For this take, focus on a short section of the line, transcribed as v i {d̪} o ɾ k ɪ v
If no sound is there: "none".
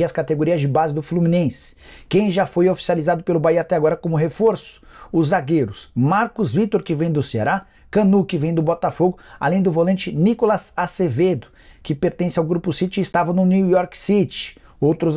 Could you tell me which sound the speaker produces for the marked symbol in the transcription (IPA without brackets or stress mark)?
t̪